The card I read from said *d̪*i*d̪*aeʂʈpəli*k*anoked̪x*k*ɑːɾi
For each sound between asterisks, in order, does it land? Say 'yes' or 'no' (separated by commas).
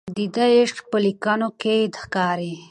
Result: yes, yes, yes, yes